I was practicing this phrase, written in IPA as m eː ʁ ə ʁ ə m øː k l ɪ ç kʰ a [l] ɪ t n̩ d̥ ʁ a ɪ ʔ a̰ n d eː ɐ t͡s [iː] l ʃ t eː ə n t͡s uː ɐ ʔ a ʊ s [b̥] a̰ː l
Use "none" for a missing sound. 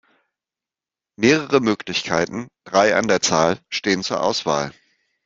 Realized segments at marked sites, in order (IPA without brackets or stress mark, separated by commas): none, aː, v̥